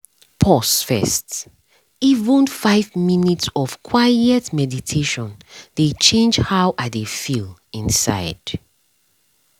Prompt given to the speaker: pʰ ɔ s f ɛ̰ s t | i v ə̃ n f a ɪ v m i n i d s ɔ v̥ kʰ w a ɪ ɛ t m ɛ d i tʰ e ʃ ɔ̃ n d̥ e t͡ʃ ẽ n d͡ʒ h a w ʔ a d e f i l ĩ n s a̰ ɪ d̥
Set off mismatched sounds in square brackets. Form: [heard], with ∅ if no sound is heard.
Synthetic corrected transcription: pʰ ɔ s f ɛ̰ s t | i v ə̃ n f a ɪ v m i n i [t] s ɔ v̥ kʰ w a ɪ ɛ t m ɛ d i tʰ e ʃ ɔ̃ n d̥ e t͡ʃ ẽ n d͡ʒ h a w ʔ a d e f i l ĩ n s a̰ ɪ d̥